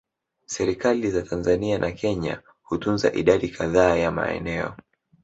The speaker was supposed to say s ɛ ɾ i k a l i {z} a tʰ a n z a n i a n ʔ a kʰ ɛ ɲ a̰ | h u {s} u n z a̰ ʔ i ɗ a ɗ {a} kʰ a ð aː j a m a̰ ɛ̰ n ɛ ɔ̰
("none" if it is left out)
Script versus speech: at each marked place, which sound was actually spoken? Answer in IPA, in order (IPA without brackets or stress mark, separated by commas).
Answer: z, t, i